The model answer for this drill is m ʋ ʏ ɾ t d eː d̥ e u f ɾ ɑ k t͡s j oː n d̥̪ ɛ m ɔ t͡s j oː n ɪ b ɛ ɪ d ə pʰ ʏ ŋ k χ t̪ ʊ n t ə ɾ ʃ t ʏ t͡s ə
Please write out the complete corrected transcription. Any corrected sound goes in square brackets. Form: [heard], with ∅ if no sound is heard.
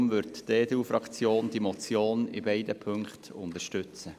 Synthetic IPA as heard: m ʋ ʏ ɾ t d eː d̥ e u f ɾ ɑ k t͡s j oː n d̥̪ [i] m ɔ t͡s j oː n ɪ b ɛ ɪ d ə pʰ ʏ ŋ k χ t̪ ʊ n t ə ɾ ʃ t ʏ t͡s ə